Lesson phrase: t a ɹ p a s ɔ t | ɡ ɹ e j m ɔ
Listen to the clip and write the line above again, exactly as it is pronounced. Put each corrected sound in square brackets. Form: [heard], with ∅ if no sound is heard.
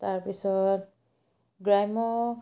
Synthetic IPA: t a ɹ p [i] s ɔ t | ɡ ɹ [a] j m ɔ